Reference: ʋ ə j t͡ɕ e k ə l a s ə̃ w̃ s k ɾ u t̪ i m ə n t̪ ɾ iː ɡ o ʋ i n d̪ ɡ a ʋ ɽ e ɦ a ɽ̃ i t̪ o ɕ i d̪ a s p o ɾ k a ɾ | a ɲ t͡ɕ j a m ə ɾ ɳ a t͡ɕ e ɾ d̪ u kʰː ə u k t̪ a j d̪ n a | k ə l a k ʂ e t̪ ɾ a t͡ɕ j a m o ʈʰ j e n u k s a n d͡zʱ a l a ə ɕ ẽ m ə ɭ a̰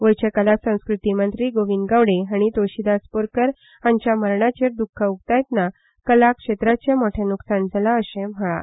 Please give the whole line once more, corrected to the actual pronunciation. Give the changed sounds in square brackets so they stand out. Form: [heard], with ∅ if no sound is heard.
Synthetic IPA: ʋ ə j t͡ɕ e k ə l a s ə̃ w̃ s k ɾ u t̪ i m ə n t̪ ɾ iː ɡ o ʋ i n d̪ ɡ a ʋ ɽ e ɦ a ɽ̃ i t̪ o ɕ i d̪ a s p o ɾ k [ə] ɾ | a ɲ t͡ɕ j a m ə ɾ ɳ a t͡ɕ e ɾ d̪ u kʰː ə u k t̪ a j [t̪] n a | k ə l a k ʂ e t̪ ɾ a t͡ɕ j a m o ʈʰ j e n u k s a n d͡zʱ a l a ə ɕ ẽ m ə ɭ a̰